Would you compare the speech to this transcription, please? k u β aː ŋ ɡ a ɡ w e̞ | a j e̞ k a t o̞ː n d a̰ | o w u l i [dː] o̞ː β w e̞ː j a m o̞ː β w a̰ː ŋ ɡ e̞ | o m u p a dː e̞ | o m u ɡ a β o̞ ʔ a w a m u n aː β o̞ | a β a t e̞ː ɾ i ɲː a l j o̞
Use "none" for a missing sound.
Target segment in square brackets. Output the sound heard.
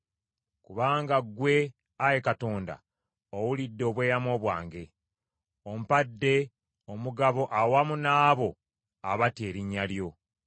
dː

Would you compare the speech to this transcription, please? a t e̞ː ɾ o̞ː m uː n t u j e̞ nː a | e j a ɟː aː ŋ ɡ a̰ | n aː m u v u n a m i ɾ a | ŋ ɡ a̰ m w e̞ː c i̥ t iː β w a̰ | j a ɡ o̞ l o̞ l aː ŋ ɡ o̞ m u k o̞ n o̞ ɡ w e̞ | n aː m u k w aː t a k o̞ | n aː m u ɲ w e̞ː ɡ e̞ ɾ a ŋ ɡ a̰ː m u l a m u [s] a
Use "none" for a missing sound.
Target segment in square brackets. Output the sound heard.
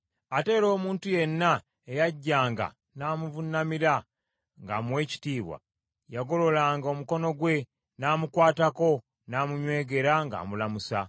s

